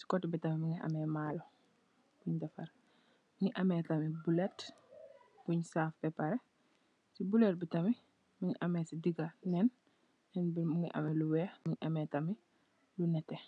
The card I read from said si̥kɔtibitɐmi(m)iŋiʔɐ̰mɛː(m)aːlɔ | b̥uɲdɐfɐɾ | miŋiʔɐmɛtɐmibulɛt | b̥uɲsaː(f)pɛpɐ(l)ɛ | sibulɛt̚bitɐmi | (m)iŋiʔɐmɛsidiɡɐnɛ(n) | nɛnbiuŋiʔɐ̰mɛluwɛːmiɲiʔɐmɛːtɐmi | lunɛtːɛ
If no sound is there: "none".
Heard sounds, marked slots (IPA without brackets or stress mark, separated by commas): m, m, f, ɾ, m, n